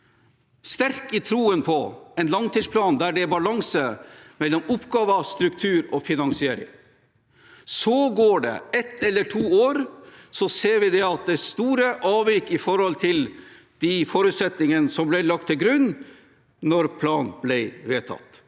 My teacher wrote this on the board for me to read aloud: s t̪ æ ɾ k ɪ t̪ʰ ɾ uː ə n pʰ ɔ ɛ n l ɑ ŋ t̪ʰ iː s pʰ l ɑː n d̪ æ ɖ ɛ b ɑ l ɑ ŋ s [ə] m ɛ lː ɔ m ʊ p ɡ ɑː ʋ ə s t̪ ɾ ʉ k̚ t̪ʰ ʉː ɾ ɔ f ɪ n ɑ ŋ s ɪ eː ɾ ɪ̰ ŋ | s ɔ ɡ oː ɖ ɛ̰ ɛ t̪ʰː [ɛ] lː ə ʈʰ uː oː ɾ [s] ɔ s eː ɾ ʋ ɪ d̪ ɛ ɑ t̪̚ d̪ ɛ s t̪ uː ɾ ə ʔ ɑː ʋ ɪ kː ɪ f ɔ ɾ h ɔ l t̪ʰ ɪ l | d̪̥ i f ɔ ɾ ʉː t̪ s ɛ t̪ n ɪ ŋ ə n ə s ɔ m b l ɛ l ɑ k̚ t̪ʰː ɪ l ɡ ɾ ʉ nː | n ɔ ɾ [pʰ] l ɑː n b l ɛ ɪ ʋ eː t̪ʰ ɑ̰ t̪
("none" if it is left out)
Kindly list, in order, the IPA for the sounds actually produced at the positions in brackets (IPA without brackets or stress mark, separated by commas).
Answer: ə, ɛ, s, pʰ